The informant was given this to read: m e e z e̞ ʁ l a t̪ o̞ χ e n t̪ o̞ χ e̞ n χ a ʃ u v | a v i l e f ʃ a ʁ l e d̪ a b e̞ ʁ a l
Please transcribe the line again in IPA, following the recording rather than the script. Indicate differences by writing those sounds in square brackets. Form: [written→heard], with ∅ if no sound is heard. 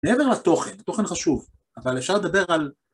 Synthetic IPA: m e e [z→v] e̞ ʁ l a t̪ o̞ χ e n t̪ o̞ χ e̞ n χ a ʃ u v | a v [i→a] l e f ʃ a ʁ l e d̪ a b e̞ ʁ a l

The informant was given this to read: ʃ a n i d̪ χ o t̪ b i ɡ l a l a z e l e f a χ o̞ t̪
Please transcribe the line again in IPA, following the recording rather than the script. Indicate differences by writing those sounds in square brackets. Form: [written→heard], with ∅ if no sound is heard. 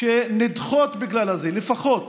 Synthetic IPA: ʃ [a→e] n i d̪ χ o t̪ b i ɡ l a l a z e l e f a χ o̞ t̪

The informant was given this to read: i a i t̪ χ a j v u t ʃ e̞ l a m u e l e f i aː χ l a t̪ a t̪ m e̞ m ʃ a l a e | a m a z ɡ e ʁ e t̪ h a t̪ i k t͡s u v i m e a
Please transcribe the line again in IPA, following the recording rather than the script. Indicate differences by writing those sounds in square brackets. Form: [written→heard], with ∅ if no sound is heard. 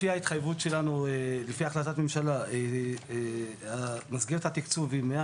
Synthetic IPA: i a i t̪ χ a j v u t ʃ e̞ l a [m→n] u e l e f i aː χ l a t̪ a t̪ m e̞ m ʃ a l a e | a m a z ɡ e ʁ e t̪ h a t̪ i k t͡s u v i m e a

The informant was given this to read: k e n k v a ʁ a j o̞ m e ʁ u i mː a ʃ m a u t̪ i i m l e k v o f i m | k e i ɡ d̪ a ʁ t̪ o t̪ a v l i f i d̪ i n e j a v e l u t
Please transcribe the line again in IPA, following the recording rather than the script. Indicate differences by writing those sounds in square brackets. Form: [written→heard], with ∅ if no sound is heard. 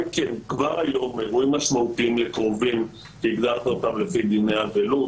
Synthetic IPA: k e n k v a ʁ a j o̞ m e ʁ u i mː a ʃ m a u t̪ i i m l e k [v→ʁ] o [f→v] i m | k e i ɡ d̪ a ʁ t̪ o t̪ a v l [i→e] f i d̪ i n e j a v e l u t

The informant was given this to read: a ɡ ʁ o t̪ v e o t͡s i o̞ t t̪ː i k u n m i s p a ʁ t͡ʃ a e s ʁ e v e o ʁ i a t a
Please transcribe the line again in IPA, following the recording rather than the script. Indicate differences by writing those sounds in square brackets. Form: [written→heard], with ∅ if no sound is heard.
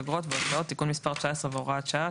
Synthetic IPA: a ɡ ʁ o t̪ v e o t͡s [i→a] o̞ t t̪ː i k u n m i s p a ʁ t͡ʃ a e s ʁ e v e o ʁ [i→a] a [t→t͡ʃ] a

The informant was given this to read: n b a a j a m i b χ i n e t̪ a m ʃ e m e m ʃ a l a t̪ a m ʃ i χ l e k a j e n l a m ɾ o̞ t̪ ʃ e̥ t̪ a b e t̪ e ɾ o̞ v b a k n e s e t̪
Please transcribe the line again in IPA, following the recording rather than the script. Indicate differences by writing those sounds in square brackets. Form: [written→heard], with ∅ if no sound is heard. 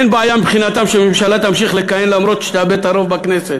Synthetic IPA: n b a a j a m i b χ i n [e→a] t̪ a m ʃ e m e m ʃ a l a t̪ a m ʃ i χ l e k a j e n l a m ɾ o̞ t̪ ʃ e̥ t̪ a b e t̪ [e→a] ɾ o̞ v b a k n e s e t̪

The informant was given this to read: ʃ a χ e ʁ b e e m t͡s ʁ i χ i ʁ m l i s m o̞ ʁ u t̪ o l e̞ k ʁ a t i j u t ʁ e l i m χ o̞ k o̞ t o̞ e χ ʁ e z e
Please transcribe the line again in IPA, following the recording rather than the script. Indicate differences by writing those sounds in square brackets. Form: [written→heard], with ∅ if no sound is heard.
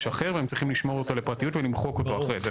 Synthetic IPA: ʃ a χ e ʁ [b→v] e e m t͡s ʁ i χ i [ʁ→∅] m l i [s→ʃ] m o̞ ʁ [u→o] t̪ o l e̞ [k→p] ʁ a t i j u t [ʁ→v] e l i m χ o̞ k o̞ t o̞ [e→a] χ ʁ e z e

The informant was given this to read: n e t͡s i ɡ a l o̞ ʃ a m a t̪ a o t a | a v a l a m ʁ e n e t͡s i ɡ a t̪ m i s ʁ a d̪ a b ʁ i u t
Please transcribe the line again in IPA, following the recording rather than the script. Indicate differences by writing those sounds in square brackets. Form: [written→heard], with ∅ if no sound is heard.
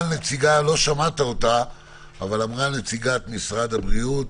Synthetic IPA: n e t͡s i ɡ a l o̞ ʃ a m a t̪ a o t a | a v a l a m ʁ [e→a] n e t͡s i ɡ a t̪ m i s ʁ a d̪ a b ʁ i u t

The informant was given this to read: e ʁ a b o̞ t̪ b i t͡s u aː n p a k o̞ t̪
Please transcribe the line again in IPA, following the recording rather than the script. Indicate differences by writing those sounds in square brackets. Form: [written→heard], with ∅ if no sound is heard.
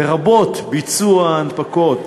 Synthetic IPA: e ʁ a b o̞ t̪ b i t͡s u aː n p a k o̞ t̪

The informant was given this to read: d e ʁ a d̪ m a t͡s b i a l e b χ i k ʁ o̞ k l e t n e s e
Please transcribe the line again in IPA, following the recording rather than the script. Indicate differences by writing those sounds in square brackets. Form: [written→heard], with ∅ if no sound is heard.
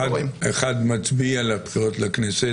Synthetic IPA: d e [ʁ→χ] a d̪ m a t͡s b i a l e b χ i [k→∅] ʁ o̞ [k→t] l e [t→k] n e s e

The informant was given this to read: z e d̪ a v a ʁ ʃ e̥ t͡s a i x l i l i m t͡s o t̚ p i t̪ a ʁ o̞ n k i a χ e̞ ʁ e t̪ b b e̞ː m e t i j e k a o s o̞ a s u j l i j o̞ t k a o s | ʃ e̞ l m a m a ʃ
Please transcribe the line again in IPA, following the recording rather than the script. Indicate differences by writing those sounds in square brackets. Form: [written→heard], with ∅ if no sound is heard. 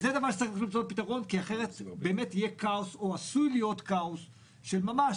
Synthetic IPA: z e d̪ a v a ʁ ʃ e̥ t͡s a i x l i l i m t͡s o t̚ p i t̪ a ʁ o̞ n k i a χ e̞ ʁ e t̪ b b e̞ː m e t i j e k a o s o̞ a s u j l i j o̞ t k a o s | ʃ e̞ l m a m a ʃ

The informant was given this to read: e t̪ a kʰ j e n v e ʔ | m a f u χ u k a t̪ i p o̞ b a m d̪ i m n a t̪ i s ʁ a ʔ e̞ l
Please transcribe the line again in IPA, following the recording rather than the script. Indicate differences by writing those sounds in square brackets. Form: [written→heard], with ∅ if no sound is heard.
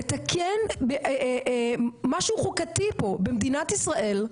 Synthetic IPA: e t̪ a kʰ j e n [v→b] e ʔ | m a [f→ʃ] u χ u k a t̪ i p o̞ b [a→e] m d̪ i [m→∅] n a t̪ i s ʁ a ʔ e̞ l

